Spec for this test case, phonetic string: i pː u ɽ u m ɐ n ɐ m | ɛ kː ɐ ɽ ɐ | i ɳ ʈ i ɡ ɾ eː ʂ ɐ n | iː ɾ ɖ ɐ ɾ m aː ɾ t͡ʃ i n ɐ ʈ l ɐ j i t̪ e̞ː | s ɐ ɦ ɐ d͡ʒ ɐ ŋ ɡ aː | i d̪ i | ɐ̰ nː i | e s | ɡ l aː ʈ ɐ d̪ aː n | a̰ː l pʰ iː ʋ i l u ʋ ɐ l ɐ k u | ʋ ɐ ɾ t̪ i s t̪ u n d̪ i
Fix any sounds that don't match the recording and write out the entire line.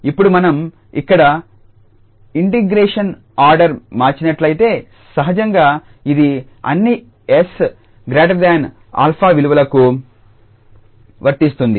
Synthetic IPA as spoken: i pː u ɽ u m ɐ n ɐ m | i kː ɐ ɽ ɐ | i ɳ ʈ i ɡ ɾ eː ʂ ɐ n | aː ɾ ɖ ɐ ɾ m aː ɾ t͡ʃ i n ɐ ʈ l ɐ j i t̪ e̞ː | s ɐ ɦ ɐ d͡ʒ ɐ ŋ ɡ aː | i d̪ i | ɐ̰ nː i | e s | ɡ ɾ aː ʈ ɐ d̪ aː n | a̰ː l pʰ aː ʋ i l u ʋ ɐ l ɐ k u | ʋ ɐ ɾ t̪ i s t̪ u n d̪ i